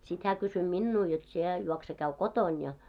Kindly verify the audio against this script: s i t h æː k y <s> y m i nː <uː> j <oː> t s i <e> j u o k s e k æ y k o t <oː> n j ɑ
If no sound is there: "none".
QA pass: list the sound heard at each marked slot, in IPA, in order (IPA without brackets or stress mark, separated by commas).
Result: s, uː, o, e, o